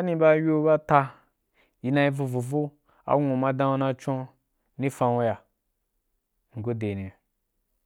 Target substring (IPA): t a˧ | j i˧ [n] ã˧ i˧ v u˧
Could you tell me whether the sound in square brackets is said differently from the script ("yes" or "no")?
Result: no